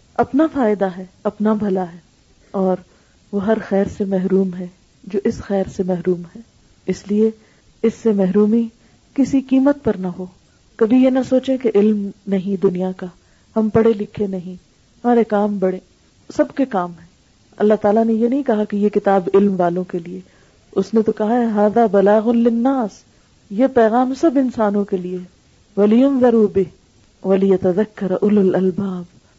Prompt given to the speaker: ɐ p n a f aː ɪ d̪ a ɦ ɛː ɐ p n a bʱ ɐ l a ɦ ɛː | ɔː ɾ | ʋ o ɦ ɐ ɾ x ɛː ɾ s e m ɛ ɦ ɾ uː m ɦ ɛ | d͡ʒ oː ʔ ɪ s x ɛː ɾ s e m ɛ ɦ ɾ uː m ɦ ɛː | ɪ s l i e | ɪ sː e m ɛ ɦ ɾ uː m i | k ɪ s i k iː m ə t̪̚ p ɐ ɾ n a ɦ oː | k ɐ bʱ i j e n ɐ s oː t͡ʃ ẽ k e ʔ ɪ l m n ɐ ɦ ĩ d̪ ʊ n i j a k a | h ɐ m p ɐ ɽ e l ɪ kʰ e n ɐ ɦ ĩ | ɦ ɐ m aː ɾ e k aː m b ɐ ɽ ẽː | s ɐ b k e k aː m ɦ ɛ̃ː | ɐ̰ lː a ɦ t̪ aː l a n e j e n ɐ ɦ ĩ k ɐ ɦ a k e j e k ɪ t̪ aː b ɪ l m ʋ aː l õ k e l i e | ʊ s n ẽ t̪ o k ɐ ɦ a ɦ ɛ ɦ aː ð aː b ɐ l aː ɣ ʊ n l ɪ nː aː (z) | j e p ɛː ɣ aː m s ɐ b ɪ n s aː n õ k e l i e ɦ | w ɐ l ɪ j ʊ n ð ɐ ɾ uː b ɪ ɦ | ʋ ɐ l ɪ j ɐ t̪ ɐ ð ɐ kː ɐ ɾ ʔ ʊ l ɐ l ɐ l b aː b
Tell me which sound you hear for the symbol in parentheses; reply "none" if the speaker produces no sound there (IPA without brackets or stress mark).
s